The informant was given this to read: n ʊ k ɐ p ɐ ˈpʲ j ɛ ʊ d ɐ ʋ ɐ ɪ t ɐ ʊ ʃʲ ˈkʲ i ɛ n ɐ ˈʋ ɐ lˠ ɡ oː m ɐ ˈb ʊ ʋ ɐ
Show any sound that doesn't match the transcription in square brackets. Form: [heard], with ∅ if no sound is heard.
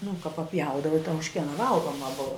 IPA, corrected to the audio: n ʊ k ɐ p ɐ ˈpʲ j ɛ ʊ d ɐ ʋ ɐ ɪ t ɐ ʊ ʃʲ ˈkʲ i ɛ n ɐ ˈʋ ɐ lˠ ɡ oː m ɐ ˈb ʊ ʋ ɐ

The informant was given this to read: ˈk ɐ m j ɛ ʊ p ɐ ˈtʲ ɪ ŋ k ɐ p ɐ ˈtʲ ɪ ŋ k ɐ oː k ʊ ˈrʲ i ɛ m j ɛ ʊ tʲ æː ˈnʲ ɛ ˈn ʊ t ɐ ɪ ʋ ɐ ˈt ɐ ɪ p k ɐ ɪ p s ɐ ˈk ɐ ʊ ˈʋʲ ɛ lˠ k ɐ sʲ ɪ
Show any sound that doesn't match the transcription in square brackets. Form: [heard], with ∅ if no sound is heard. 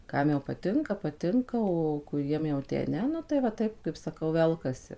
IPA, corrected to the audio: ˈk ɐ m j ɛ ʊ p ɐ ˈtʲ ɪ ŋ k ɐ p ɐ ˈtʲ ɪ ŋ k ɐ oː k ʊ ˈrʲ i ɛ m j ɛ ʊ tʲ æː ˈnʲ ɛ ˈn ʊ t ɐ ɪ ʋ ɐ ˈt ɐ ɪ p k ɐ ɪ p s ɐ ˈk ɐ ʊ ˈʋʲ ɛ lˠ k ɐ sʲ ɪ

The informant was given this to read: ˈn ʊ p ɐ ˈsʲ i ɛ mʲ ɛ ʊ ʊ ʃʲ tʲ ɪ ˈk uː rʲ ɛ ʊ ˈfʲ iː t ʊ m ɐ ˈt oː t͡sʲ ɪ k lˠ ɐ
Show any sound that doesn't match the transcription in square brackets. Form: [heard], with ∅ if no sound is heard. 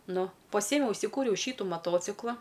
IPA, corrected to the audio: ˈn ʊ p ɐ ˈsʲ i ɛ mʲ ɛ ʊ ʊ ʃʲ [sʲ] ɪ ˈk uː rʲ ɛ ʊ [ˈʃʲ] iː t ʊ m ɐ ˈt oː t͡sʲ ɪ k lˠ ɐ

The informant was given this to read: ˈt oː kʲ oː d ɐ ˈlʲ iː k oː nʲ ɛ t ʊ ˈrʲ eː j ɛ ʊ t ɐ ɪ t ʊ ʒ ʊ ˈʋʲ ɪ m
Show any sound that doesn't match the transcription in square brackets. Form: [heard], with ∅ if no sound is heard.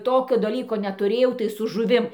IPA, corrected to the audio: ˈt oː kʲ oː d ɐ ˈlʲ iː k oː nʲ ɛ t ʊ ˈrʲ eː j ɛ ʊ t ɐ ɪ [s] ʊ ʒ ʊ ˈʋʲ ɪ m

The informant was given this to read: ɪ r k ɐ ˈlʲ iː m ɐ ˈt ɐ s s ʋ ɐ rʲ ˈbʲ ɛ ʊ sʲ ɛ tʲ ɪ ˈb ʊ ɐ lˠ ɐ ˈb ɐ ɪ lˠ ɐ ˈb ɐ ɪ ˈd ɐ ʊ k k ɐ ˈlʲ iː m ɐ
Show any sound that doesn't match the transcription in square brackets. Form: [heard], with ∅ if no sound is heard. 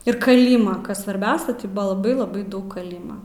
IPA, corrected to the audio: ɪ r k ɐ ˈlʲ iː m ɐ [ˈk] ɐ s s ʋ ɐ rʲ ˈbʲ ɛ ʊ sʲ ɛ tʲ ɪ ˈb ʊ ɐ lˠ ɐ ˈb ɐ ɪ lˠ ɐ ˈb ɐ ɪ ˈd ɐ ʊ k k ɐ ˈlʲ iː m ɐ

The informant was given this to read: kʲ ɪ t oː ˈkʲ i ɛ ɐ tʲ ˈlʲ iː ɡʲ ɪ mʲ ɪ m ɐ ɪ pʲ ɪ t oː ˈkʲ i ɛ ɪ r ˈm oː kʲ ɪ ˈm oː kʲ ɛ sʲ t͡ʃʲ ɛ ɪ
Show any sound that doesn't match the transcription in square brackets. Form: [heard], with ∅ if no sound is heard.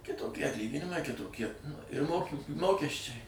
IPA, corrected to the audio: kʲ ɪ t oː ˈkʲ i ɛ ɐ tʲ ˈlʲ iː ɡʲ ɪ [nʲ] ɪ m ɐ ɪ [kʲ] ɪ t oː ˈkʲ i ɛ ɪ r ˈm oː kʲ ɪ ˈm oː kʲ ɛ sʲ t͡ʃʲ ɛ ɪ

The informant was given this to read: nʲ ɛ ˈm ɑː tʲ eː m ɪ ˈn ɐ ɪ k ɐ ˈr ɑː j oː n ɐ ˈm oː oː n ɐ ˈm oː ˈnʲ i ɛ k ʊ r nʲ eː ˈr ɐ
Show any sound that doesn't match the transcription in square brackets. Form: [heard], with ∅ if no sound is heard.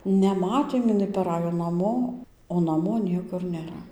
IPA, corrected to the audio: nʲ ɛ ˈm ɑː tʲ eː m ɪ ˈn ɐ ɪ [p] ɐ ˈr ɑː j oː n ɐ ˈm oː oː n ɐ ˈm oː ˈnʲ i ɛ k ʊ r nʲ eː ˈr ɐ

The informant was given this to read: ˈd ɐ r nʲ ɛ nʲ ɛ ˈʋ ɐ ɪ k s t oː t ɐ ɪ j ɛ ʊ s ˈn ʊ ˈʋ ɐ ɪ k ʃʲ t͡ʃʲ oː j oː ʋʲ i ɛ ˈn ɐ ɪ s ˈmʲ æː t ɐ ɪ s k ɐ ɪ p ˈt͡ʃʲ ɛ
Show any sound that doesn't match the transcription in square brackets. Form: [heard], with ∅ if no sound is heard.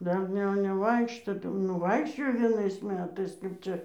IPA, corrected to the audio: ˈd ɐ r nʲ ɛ nʲ ɛ ˈʋ ɐ ɪ k [ʃ] t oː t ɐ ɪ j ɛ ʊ [∅] ˈn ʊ ˈʋ ɐ ɪ k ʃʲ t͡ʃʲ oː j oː ʋʲ i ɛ ˈn ɐ ɪ s ˈmʲ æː t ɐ ɪ s k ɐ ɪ p ˈt͡ʃʲ ɛ

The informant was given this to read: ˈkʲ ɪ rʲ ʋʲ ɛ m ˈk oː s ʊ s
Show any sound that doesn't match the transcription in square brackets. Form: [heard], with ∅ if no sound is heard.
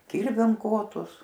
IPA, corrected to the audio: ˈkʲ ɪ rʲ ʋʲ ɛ m ˈk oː [t] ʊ s

